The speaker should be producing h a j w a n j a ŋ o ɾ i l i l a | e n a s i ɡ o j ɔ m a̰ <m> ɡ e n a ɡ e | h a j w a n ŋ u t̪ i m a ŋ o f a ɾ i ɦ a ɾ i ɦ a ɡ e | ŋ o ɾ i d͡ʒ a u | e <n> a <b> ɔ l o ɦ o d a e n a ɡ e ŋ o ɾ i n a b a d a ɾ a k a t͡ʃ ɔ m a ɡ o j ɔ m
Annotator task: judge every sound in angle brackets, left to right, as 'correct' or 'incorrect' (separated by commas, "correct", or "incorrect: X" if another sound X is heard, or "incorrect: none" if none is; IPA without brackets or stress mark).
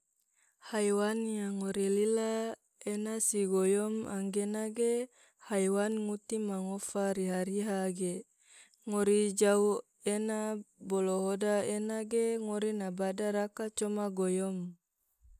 incorrect: ŋ, correct, correct